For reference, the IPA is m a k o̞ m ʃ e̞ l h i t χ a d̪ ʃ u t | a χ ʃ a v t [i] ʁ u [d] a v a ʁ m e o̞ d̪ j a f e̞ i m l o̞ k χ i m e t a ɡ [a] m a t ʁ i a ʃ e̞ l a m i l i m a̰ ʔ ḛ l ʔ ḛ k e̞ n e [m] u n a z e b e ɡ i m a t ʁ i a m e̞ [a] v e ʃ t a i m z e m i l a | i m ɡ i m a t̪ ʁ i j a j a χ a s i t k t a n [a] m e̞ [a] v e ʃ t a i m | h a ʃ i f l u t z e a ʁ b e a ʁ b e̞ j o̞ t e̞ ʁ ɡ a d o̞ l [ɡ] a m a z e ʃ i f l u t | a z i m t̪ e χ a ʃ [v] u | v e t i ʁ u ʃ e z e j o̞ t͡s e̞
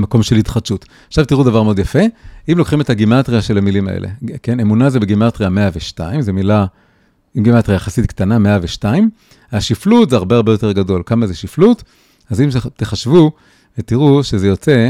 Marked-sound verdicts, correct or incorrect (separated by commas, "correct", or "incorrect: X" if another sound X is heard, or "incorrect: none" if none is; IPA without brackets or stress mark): correct, correct, incorrect: i, correct, correct, correct, correct, incorrect: k, correct